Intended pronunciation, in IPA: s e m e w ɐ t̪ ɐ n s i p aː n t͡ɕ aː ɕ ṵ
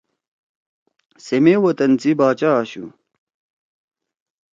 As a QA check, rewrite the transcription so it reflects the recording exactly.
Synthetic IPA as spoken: s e m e w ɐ t̪ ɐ n t͡s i b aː t͡ɕ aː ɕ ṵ